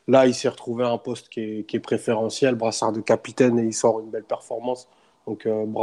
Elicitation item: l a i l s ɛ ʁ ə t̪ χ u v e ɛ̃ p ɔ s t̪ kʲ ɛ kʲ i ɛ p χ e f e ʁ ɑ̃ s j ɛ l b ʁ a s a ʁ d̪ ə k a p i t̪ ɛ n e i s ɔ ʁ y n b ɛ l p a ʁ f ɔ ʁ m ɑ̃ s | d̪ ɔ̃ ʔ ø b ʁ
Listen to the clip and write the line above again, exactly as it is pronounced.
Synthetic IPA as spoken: l a i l s ɛ ʁ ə t̪ χ u v e ɛ̃ p ɔ s t̪ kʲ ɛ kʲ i ɛ p χ e f e ʁ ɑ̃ s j ɛ l b ʁ a s a ʁ d̪ ə k a p i t̪ ɛ n e i s ɔ ʁ y n b ɛ l p ɛ ʁ f ɔ ʁ m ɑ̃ s | d̪ ɔ̃ k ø b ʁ